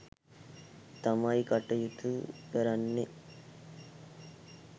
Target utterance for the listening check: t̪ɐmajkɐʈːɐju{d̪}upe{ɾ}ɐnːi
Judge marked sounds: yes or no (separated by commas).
no, yes